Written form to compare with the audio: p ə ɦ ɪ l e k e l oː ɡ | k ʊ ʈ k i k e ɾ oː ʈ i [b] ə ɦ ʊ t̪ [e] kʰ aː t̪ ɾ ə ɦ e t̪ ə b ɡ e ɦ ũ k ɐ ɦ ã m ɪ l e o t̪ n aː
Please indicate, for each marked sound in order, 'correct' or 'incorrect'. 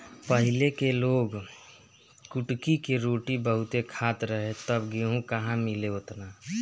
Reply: correct, correct

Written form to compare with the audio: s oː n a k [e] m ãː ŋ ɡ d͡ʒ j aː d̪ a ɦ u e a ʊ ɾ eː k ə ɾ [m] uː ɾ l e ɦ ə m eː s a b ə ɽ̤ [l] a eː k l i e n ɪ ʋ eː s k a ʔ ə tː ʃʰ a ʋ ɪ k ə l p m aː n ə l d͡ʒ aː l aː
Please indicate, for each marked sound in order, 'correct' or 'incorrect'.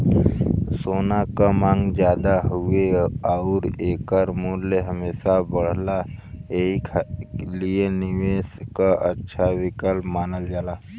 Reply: incorrect: a, correct, correct

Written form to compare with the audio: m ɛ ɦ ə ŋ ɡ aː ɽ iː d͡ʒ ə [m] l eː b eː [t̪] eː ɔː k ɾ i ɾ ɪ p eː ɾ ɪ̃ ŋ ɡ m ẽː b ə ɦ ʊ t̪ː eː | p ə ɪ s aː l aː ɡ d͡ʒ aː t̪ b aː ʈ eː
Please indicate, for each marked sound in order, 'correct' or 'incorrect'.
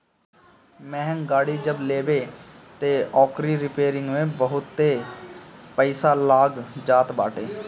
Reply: incorrect: b, correct

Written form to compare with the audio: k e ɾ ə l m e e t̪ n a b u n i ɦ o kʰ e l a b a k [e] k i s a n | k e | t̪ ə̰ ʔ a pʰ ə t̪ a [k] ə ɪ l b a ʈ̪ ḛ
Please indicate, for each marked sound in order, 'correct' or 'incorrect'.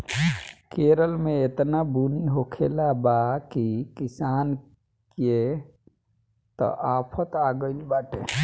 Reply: incorrect: i, incorrect: ɡ

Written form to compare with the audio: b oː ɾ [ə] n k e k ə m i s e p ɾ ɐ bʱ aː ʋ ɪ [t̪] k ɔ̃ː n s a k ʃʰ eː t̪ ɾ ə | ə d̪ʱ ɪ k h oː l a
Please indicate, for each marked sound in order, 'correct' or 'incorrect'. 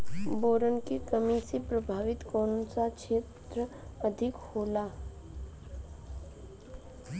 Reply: correct, correct

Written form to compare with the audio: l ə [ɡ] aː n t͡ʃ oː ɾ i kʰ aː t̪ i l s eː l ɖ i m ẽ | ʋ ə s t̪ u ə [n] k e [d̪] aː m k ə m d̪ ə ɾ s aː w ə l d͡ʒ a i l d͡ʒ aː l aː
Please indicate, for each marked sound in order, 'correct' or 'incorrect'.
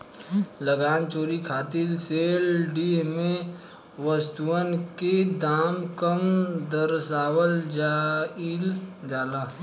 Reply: correct, correct, correct

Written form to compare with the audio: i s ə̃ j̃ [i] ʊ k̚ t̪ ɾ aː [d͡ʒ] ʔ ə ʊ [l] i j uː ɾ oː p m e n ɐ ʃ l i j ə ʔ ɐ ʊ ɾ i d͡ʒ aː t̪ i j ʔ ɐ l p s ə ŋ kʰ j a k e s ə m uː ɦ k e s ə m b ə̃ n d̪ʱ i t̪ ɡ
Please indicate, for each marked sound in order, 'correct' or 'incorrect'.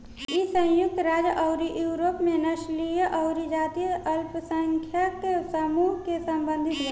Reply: incorrect: j, correct, incorrect: ɾ

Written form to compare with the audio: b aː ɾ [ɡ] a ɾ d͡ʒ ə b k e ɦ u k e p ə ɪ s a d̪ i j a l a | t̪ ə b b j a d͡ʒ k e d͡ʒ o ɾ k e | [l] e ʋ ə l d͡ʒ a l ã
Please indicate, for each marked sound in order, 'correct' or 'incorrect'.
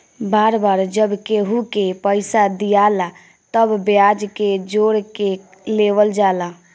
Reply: incorrect: b, correct

